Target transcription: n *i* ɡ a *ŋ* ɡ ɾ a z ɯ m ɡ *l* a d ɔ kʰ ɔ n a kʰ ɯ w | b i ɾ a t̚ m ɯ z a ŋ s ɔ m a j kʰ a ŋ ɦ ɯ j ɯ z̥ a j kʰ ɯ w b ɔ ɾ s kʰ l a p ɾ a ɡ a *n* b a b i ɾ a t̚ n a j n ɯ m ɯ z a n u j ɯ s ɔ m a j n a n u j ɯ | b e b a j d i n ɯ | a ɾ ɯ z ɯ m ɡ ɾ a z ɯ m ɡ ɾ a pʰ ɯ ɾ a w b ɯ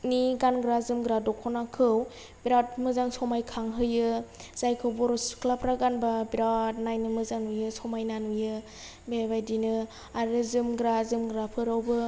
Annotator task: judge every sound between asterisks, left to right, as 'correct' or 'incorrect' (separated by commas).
correct, incorrect, incorrect, correct